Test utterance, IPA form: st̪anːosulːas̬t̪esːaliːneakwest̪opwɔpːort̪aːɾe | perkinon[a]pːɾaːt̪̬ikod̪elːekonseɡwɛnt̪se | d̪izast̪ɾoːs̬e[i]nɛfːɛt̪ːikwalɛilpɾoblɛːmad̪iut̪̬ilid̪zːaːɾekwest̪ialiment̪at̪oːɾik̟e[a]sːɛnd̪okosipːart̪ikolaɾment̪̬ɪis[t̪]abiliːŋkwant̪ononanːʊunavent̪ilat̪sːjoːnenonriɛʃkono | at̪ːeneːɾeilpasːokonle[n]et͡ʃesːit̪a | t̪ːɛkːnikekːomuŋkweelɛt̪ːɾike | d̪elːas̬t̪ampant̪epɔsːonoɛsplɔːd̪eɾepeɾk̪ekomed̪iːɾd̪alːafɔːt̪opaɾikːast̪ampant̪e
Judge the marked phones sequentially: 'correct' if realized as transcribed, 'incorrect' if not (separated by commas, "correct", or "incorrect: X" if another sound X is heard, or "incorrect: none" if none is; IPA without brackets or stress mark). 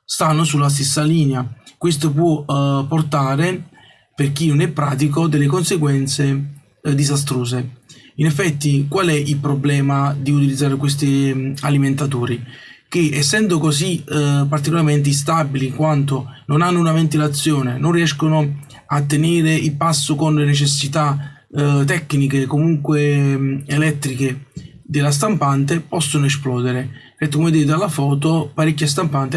incorrect: ɛ, correct, incorrect: ɛ, correct, correct